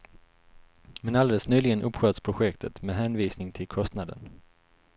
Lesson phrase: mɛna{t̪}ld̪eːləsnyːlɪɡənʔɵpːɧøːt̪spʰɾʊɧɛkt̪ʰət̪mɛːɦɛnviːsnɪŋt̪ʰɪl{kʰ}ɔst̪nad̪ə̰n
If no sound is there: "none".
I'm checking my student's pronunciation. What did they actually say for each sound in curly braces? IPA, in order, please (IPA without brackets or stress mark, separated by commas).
none, kʰ